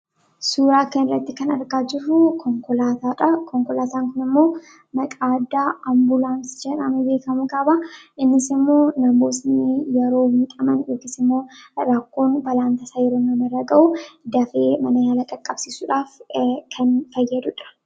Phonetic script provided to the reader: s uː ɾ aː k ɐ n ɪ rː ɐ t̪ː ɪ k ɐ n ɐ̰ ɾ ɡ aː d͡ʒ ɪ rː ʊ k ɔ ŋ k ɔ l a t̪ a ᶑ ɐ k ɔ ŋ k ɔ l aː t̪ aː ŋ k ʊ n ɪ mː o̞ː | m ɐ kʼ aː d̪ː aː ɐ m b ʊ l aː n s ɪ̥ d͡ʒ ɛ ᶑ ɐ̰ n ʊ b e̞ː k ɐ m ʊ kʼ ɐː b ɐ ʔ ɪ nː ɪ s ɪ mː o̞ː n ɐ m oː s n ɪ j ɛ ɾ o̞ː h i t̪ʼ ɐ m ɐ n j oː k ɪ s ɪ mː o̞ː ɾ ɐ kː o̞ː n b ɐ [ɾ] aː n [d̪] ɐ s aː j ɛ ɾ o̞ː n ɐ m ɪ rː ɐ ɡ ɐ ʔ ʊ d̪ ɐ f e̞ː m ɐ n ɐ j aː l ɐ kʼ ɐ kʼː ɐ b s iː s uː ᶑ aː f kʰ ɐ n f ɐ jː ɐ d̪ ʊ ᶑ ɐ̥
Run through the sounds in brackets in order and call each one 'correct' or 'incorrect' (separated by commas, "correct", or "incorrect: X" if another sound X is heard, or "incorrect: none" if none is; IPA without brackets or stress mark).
incorrect: l, incorrect: t̪